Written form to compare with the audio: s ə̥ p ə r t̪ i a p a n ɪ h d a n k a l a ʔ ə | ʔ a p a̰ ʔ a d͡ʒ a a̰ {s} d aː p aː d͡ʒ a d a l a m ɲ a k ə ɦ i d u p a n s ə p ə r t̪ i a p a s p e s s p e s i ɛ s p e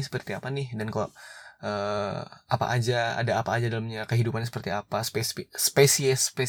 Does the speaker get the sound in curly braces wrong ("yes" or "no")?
yes